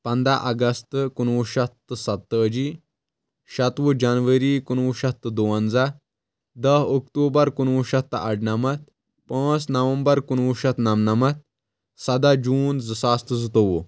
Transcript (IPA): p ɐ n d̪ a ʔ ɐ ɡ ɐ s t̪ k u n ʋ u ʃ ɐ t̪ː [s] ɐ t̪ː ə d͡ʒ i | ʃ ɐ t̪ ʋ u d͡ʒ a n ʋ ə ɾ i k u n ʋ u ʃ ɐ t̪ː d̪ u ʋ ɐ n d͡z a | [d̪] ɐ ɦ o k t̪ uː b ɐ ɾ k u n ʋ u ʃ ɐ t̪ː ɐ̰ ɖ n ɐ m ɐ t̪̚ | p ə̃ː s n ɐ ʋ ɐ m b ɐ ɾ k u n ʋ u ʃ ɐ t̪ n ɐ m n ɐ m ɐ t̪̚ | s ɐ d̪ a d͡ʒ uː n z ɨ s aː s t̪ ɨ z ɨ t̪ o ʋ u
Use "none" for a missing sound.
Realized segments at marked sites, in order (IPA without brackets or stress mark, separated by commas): s, d̪